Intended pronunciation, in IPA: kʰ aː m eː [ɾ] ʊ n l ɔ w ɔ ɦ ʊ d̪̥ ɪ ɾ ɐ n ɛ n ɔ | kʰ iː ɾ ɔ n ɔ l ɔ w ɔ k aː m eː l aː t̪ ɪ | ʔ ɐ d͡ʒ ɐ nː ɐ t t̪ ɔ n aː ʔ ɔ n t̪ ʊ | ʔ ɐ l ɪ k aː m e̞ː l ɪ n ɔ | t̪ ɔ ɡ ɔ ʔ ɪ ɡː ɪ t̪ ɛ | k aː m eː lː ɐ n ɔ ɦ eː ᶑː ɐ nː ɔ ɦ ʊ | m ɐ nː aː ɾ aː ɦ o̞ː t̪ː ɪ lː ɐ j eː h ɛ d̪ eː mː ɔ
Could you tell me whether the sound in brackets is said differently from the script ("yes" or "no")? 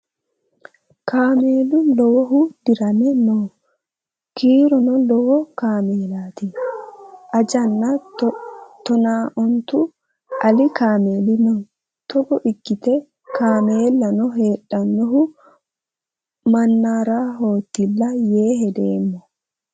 yes